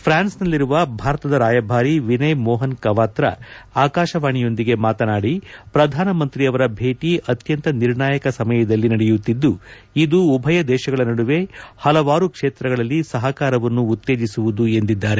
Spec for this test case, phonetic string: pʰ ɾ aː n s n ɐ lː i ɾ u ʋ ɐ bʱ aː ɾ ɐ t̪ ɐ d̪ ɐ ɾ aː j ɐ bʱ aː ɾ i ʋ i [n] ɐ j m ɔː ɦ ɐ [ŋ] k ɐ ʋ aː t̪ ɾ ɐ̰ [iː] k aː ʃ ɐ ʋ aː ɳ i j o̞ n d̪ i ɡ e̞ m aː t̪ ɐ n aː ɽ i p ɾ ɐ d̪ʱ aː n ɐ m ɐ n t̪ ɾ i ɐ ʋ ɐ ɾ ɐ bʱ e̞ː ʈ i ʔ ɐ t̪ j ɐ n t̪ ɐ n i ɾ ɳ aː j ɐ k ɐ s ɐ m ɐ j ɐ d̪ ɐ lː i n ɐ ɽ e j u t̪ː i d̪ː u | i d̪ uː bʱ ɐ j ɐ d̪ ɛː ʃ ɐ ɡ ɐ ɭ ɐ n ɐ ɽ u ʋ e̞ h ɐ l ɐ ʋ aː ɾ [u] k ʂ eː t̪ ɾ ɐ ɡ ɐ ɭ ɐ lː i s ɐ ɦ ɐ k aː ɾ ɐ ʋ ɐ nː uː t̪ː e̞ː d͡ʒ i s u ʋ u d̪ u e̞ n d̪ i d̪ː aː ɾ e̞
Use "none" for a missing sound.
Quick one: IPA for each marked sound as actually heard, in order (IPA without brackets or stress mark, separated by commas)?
n, n, aː, u